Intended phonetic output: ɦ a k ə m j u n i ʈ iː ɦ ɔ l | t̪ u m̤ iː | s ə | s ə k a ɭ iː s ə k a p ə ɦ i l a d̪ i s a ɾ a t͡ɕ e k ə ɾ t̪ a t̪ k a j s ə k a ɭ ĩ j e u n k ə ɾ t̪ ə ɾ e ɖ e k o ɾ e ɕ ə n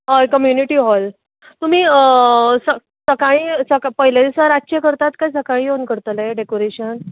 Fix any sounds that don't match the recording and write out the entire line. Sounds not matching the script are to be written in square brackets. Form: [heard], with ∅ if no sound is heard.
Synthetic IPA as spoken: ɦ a k ə m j u n i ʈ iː ɦ ɔ l | t̪ u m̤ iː | s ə | s ə k a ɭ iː s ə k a p ə ɦ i l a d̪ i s a ɾ a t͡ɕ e k ə ɾ t̪ a t̪ k a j s ə k a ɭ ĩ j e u n k ə ɾ t̪ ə [l] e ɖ e k o ɾ e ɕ ə n